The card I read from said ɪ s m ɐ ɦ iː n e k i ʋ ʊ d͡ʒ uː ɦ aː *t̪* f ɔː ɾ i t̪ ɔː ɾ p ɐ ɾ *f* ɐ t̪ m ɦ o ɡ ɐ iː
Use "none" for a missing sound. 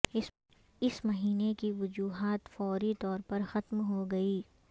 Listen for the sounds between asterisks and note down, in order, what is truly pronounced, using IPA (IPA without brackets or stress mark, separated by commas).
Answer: t̪, x